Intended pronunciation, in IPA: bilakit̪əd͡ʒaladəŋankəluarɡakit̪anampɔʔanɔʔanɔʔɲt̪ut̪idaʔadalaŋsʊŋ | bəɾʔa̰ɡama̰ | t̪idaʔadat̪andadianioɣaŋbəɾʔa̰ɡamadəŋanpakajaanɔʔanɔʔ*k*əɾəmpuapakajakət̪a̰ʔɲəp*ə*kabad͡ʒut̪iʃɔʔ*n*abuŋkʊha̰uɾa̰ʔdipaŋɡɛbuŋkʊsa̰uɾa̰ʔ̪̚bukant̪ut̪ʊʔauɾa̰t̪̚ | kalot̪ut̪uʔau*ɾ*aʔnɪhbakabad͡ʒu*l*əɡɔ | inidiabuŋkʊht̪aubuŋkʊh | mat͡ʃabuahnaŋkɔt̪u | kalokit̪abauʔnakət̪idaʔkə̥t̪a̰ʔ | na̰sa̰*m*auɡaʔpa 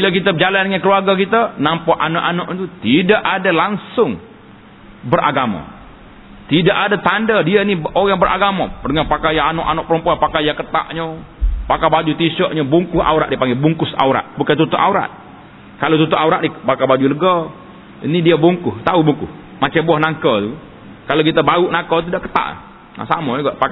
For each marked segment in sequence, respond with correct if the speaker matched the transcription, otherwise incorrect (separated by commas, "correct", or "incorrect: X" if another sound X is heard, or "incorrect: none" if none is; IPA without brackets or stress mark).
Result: incorrect: p, incorrect: a, incorrect: ɲ, correct, correct, correct